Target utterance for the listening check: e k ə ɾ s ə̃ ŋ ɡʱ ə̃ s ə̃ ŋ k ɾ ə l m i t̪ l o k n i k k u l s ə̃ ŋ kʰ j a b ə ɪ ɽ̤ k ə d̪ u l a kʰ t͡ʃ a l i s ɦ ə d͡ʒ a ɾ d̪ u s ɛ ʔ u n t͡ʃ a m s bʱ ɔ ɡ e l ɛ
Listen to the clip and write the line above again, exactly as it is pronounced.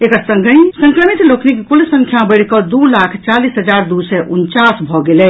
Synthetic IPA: e k ə ɾ s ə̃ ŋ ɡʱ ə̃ s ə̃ ŋ k ɾ ə m i t̪ l o k n i k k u l s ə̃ ŋ kʰ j a b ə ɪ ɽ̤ k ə d̪ u l a kʰ t͡ʃ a l i s ɦ ə d͡ʒ a ɾ d̪ u s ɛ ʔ u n t͡ʃ a s bʱ ɔ ɡ e l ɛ